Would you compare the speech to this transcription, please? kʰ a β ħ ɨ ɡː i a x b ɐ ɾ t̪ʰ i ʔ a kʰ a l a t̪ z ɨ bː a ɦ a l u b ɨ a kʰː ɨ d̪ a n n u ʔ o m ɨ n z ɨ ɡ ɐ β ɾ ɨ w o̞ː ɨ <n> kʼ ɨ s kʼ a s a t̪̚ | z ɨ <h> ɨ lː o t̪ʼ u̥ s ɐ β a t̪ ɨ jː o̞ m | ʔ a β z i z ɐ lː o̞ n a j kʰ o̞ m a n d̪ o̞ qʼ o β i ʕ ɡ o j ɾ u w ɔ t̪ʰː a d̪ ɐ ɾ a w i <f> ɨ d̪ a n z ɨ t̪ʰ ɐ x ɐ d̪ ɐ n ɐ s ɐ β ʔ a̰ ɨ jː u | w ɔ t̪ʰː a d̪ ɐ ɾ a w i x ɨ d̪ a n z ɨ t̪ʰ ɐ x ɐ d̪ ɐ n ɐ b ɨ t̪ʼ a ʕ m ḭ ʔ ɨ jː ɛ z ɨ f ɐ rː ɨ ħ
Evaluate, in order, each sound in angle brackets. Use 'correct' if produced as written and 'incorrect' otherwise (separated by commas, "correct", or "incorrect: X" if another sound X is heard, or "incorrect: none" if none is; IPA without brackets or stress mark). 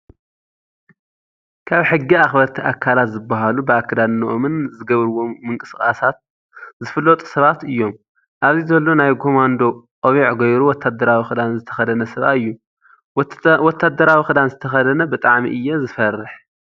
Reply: incorrect: ŋ, incorrect: f, incorrect: x